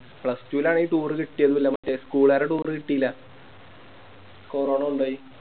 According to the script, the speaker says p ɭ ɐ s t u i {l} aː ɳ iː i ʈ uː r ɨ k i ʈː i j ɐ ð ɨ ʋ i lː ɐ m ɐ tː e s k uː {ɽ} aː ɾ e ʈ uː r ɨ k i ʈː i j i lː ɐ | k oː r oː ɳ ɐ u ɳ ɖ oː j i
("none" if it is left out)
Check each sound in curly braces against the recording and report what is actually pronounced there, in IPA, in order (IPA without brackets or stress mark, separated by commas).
l, ɭ